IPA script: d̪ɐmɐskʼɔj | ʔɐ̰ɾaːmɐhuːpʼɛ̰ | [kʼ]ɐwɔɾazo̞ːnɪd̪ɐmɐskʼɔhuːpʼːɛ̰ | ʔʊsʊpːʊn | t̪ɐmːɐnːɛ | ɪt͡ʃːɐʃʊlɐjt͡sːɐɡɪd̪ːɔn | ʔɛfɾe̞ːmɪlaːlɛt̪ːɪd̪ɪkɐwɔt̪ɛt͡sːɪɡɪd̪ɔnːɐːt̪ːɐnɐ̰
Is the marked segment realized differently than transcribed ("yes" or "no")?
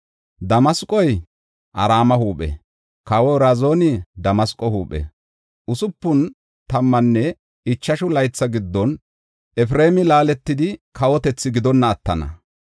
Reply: yes